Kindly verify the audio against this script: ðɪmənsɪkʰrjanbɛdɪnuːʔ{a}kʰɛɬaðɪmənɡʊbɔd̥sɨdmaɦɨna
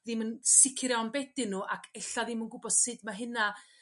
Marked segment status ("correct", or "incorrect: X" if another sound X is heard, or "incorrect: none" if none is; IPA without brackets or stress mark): correct